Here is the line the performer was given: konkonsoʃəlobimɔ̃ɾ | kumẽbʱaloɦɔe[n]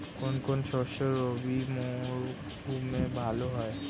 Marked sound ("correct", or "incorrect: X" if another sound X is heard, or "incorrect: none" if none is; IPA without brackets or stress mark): incorrect: none